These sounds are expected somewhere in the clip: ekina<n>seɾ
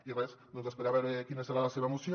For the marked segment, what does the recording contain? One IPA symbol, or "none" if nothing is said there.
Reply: none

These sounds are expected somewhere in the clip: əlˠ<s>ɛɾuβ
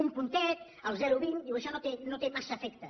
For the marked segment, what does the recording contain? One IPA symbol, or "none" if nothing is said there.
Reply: z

